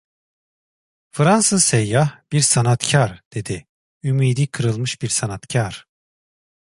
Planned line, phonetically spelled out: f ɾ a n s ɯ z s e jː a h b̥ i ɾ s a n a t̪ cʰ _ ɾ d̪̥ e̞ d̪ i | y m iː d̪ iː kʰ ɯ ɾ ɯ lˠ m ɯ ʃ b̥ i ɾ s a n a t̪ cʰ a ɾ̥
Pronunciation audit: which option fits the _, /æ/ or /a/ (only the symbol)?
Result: a